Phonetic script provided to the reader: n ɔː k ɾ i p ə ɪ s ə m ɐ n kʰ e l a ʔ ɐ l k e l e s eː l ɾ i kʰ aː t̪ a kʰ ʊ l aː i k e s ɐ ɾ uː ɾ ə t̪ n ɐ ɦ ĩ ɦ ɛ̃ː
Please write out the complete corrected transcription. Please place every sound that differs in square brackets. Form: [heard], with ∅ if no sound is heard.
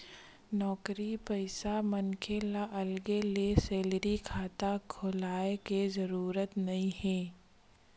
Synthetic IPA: n ɔː k ɾ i p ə ɪ s [a] m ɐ n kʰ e l a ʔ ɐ l [ɡ] e l e s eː l ɾ i kʰ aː t̪ a kʰ ʊ l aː [e] k e [z] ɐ ɾ uː ɾ ə t̪ n ɐ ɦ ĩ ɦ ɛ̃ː